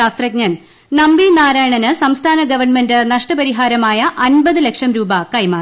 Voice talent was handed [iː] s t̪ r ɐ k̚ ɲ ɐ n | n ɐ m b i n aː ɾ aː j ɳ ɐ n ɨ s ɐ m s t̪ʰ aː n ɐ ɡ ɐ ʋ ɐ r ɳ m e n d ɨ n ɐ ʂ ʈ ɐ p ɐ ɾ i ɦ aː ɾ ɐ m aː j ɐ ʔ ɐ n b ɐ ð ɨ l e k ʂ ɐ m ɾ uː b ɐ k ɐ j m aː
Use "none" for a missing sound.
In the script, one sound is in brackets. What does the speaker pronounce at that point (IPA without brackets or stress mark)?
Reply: aː